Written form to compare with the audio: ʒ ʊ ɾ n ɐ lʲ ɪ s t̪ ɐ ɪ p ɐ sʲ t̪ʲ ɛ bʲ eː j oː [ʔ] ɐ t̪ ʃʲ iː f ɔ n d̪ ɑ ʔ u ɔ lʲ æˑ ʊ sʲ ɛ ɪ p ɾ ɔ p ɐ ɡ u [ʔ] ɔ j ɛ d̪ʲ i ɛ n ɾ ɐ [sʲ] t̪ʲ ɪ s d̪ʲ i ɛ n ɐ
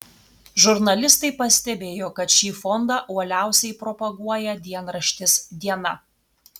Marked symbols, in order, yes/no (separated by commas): no, no, no